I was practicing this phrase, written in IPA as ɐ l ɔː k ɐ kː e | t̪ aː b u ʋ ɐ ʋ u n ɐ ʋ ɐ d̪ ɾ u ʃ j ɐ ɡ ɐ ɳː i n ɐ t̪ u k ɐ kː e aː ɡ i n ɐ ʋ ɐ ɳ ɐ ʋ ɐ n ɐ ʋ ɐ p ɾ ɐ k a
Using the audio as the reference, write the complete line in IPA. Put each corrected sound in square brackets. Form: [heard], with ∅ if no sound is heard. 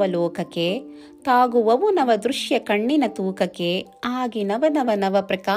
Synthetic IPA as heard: ɐ l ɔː k ɐ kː e | t̪ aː [ɡ] u ʋ ɐ ʋ u n ɐ ʋ ɐ d̪ ɾ u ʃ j ɐ [k] ɐ ɳː i n ɐ t̪ [uː] k ɐ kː e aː ɡ i n ɐ ʋ ɐ [n] ɐ ʋ ɐ n ɐ ʋ ɐ p ɾ ɐ k a